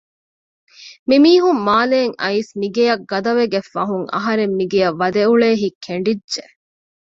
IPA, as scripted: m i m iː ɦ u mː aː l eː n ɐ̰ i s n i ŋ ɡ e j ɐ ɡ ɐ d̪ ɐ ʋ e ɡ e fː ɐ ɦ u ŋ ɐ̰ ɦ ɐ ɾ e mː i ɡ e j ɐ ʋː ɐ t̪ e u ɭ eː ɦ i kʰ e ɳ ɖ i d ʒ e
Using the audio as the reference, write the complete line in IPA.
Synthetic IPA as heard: m i m iː ɦ u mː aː l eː ŋ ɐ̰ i s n i ɡ e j ɐ ɡ ɐ d̪ ɐ ʋ e ɡ e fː ɐ ɦ u ŋ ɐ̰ ɦ ɐ ɾ e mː i ɡ e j ɐ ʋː ɐ d̪ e u ɭ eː ɦ i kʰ e ɳ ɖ i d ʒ e